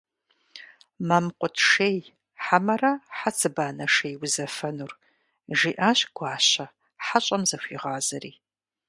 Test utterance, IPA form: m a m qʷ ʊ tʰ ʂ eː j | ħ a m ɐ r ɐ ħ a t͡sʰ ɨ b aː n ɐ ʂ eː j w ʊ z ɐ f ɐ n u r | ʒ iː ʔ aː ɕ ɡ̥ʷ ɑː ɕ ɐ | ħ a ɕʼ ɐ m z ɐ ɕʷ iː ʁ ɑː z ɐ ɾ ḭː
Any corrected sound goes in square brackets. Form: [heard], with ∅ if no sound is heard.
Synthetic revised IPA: m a m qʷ ʊ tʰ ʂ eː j | ħ a m ɐ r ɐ ħ a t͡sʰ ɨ b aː n ɐ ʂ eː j w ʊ z ɐ f ɐ n u r | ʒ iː ʔ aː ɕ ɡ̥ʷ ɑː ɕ ɐ | ħ a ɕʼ ɐ m z ɐ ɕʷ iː ʁ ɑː z ɐ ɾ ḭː